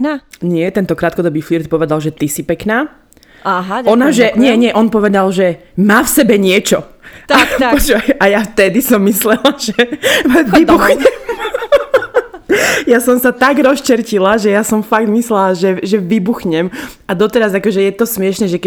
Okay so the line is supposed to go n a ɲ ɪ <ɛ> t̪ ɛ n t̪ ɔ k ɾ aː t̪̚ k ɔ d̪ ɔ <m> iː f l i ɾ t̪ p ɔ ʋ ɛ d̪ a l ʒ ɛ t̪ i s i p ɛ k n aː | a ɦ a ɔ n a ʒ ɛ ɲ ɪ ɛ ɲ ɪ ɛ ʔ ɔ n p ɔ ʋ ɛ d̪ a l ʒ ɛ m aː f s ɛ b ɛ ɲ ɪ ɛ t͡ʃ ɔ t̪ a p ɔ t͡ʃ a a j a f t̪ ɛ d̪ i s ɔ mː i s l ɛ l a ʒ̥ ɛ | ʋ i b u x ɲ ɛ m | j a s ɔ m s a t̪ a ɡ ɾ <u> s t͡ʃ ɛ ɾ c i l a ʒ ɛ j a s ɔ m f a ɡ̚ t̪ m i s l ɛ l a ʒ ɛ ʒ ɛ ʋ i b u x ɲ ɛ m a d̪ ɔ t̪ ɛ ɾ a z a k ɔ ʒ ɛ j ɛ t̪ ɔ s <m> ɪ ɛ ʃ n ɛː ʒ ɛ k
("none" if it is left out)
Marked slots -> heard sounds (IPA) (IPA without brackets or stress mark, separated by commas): ɛ, b, ɔ, m